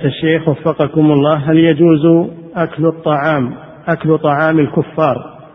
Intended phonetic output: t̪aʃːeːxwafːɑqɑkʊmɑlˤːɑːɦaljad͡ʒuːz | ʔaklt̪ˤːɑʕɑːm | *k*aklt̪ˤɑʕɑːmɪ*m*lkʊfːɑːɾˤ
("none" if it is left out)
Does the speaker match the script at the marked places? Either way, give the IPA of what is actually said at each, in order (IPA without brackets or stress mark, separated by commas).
ʔ, none